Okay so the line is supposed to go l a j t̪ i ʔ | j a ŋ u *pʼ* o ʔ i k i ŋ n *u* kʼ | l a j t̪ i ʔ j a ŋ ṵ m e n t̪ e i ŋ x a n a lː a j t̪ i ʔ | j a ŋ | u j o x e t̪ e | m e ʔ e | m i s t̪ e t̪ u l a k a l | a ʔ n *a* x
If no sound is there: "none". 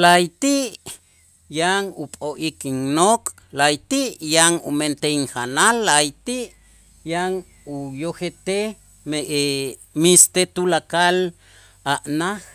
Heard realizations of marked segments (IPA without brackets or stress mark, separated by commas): pʼ, o, a